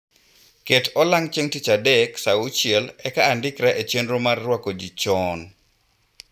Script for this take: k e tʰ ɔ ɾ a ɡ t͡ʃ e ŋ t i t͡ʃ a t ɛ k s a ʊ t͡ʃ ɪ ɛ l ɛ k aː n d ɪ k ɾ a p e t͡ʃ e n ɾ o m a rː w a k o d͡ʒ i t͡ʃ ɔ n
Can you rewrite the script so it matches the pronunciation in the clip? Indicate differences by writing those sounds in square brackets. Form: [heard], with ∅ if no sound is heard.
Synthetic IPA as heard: k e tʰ ɔ [l] a [ŋ] t͡ʃ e ŋ t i t͡ʃ a [d] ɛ k s a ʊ t͡ʃ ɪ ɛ l ɛ k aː n d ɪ k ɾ a [ʔ] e t͡ʃ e n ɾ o m a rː w a k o d͡ʒ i t͡ʃ ɔ n